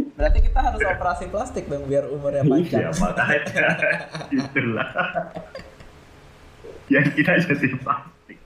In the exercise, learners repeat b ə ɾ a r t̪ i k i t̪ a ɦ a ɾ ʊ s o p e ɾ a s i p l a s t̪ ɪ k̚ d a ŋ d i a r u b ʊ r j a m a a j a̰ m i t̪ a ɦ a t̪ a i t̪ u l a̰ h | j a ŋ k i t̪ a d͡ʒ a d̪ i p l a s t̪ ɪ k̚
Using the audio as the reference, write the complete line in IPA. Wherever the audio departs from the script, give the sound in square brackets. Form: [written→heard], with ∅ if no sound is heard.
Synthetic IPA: b ə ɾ a r t̪ i k i t̪ a ɦ a ɾ ʊ s o p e ɾ a s i p l a s t̪ ɪ k̚ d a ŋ [d→b] i a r u [b→m] ʊ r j a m a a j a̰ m [i→a] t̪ a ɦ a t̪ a i t̪ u l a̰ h | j a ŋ k i t̪ a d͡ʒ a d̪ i p l a s t̪ ɪ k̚